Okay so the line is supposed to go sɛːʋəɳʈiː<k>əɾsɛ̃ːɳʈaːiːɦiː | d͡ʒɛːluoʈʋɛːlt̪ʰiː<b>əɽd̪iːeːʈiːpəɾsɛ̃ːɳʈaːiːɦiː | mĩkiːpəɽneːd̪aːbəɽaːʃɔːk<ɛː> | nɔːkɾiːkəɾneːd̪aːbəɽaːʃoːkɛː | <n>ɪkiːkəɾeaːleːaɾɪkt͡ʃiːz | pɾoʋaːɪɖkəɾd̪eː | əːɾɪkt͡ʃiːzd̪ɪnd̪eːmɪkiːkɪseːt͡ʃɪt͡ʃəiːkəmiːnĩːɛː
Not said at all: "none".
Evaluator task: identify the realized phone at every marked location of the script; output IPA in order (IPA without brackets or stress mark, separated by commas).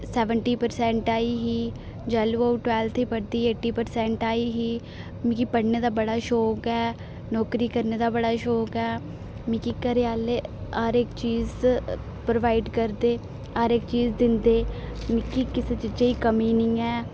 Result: p, p, ɛː, m